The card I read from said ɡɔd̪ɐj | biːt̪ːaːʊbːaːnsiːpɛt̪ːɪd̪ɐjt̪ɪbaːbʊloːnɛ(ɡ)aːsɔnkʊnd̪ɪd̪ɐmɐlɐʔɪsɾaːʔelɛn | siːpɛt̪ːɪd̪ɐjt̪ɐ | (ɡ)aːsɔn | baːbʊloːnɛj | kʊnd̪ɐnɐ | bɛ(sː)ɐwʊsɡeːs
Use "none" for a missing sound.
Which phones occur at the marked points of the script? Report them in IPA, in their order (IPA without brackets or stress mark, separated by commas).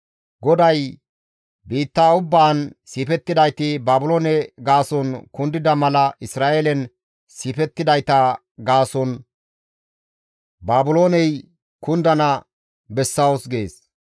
ɡ, ɡ, sː